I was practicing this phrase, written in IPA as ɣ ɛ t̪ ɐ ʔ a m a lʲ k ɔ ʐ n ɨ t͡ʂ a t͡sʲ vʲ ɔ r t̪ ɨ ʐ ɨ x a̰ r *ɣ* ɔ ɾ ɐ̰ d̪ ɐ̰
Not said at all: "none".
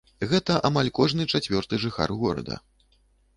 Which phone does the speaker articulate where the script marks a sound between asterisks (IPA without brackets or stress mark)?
ɣ